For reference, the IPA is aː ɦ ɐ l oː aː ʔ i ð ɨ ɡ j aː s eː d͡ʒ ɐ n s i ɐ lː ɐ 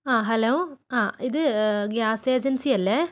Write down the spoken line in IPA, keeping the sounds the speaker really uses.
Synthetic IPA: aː ɦ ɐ l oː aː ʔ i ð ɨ ɡ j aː s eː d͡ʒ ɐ n s i ɐ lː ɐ